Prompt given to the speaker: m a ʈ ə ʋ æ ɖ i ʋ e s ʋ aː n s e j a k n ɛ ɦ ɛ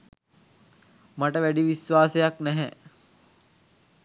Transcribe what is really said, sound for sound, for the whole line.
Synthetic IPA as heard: m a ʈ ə ʋ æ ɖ i ʋ i s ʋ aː s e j a k n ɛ ɦ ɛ

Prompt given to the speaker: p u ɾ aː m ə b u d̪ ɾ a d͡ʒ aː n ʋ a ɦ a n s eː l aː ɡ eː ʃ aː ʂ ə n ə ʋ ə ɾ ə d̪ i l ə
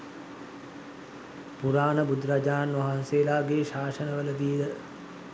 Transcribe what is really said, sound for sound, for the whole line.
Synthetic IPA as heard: p u ɾ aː n ə b u d̪ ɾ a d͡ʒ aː n ʋ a ɦ a n s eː l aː ɡ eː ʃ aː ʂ ə n ə ʋ ə l ə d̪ i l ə

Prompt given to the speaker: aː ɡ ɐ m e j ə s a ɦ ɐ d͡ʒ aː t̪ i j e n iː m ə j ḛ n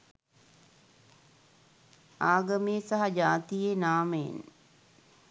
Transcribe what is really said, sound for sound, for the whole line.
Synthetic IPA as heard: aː ɡ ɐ m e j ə s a ɦ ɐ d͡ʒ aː t̪ i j e n aː m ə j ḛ n

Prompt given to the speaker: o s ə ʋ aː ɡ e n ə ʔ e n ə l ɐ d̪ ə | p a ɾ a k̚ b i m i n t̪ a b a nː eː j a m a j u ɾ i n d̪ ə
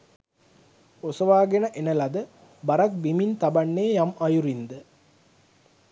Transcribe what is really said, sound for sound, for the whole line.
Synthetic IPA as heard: o s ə ʋ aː ɡ e n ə ʔ e n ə l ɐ d̪ ə | b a ɾ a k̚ b i m i n t̪ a b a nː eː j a m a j u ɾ i n d̪ ə

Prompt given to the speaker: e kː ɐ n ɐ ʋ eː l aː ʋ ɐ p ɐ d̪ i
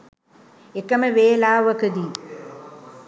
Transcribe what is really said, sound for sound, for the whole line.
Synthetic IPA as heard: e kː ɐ m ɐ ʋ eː l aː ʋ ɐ k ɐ d̪ i

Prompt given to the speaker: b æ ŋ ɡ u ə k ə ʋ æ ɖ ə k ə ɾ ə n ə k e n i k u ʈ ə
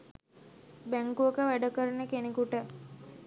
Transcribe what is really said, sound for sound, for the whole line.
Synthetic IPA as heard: b æ ŋ k u ə k ə ʋ æ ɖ ə k ə ɾ ə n ə k e n e k u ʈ ə

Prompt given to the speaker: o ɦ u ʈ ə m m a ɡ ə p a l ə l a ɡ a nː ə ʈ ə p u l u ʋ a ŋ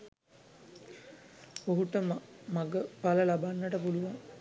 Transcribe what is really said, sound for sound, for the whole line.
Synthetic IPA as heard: o ɦ u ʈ ə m m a ɡ ə p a l ə l a b a nː ə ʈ ə p u l u ʋ a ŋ

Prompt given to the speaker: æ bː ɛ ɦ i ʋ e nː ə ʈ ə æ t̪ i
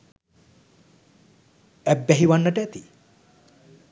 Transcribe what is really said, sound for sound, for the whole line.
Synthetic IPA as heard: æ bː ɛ ɦ i ʋ a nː ə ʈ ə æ t̪ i

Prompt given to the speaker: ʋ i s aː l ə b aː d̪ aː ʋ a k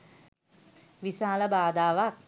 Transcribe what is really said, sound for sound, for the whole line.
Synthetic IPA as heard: ʋ i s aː l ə b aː d̪ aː ʋ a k

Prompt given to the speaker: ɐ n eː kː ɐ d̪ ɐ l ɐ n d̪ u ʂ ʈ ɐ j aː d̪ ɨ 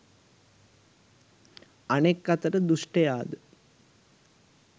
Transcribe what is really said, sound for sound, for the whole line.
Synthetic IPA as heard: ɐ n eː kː ɐ t̪ ɐ ɾ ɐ d̪ u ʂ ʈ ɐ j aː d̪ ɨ

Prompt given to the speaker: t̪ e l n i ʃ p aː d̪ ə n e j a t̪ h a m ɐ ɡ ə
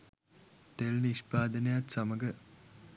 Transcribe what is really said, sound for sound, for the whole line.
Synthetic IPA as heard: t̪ e l n i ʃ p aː d̪ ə n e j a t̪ s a m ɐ ɡ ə

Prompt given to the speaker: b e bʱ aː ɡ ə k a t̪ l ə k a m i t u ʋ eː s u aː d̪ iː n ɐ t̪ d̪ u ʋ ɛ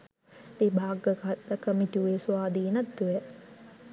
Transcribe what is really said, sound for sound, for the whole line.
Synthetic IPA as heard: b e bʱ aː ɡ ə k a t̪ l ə k ə m i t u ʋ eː s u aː d̪ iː n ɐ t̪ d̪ u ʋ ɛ

